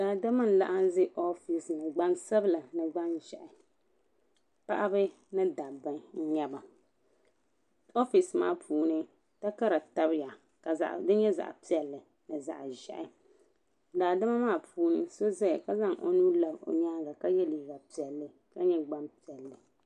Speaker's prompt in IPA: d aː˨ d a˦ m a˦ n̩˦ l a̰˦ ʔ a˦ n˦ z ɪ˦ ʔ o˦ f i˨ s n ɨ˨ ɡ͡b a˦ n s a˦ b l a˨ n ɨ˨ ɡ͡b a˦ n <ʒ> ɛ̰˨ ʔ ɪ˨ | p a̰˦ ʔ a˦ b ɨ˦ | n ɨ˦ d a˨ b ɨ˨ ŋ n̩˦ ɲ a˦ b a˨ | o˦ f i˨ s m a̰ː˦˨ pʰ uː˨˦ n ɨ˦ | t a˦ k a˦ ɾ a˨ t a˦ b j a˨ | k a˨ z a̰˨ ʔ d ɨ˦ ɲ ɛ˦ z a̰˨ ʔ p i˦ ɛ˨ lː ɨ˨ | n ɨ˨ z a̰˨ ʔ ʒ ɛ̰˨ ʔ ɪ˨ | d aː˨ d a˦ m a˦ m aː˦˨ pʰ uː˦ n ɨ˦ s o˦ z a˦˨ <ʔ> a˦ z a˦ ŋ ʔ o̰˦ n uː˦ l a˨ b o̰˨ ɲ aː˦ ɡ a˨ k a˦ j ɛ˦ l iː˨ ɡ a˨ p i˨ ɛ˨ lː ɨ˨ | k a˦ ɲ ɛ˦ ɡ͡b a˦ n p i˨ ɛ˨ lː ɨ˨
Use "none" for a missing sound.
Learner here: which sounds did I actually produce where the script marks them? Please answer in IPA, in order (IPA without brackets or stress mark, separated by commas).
ʒ, k